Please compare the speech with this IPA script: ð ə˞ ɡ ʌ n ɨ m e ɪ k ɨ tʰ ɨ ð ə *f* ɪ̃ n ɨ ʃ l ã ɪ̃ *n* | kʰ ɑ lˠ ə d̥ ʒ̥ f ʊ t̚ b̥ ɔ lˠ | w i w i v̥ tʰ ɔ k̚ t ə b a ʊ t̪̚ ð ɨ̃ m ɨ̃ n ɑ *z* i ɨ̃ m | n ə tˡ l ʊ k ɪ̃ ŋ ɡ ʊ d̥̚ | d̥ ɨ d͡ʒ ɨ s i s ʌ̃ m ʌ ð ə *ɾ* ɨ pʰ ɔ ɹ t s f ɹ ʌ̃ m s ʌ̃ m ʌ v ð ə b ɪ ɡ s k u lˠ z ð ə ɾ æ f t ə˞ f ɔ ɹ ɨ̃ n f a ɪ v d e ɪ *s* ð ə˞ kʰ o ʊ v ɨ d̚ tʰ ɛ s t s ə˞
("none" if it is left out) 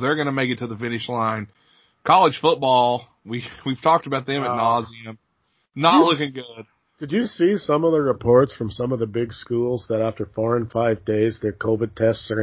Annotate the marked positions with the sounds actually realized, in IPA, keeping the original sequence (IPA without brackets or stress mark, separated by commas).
f, n, z, ɹ, z